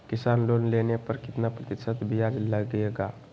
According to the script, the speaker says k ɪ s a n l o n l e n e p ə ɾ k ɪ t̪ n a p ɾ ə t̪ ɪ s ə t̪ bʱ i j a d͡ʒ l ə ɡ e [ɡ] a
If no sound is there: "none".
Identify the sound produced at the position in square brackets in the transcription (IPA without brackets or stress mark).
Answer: ɡ